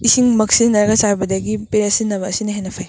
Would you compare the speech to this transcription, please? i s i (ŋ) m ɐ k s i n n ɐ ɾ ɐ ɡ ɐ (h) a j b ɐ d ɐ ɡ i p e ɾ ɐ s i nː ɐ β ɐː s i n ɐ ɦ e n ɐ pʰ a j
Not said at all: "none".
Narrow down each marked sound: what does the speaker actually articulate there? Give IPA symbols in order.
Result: ŋ, s

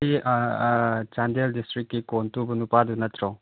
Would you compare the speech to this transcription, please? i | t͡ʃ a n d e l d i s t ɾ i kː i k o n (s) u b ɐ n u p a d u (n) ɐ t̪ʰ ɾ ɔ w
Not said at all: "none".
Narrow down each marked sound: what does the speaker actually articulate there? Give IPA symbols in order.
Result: t, n

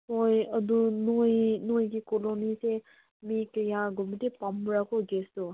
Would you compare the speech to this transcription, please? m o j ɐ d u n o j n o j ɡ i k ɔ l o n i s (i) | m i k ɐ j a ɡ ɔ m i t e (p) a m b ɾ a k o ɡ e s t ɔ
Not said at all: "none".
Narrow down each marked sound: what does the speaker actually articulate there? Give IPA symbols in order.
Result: e, p

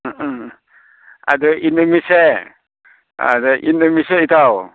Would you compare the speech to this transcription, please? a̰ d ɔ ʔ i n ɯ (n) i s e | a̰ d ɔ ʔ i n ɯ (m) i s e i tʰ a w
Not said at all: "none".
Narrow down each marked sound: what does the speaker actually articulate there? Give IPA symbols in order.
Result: m, m

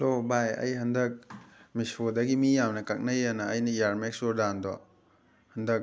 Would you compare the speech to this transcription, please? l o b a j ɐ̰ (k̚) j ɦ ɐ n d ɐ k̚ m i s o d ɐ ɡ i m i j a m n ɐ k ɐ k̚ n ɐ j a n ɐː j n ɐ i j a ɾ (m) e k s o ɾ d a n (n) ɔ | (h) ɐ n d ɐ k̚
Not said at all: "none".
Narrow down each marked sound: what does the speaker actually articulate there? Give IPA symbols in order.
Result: none, m, d, h

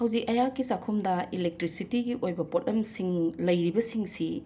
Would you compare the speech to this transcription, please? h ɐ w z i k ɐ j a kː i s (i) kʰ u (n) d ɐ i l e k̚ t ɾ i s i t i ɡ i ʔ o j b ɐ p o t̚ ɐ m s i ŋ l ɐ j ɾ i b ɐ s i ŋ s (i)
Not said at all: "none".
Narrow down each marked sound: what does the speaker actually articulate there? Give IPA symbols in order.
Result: a, m, i

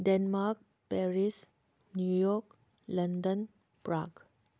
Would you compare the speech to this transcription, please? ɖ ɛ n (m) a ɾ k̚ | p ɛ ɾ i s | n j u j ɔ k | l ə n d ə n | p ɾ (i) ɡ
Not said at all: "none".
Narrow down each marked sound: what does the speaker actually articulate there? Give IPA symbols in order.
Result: m, a

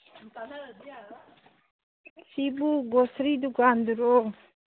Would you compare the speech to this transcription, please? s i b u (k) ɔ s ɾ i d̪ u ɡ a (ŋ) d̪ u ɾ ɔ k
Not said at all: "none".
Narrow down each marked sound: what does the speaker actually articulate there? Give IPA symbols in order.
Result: ɡ, n

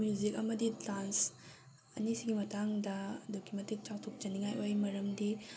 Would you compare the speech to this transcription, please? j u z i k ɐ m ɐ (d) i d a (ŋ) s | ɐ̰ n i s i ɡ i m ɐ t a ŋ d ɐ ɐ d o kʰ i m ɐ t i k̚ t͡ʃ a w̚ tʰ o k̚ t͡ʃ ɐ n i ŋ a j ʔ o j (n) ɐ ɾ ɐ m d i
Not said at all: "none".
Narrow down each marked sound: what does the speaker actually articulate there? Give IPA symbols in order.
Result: d, n, m

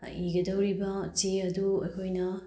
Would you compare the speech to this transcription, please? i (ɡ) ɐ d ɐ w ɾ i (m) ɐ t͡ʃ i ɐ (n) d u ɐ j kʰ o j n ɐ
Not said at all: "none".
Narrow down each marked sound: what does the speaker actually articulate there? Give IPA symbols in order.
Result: ɡ, b, none

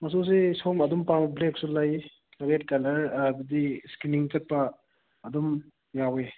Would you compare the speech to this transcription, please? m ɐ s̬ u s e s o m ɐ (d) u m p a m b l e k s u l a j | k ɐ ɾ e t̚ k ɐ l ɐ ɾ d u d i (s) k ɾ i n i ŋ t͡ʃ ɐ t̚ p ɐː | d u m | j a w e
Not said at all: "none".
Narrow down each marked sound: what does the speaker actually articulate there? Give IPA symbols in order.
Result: d, s

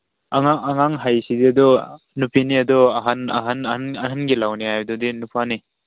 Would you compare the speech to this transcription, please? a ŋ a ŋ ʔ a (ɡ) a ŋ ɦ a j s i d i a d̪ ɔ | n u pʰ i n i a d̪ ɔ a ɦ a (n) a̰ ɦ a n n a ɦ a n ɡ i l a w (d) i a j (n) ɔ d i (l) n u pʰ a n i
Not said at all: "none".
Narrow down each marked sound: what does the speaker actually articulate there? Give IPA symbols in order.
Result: ŋ, n, n, d, none

